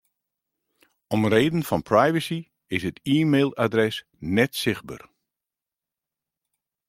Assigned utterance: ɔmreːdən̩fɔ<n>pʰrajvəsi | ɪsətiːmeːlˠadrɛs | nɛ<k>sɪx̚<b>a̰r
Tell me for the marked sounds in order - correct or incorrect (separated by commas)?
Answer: correct, incorrect, correct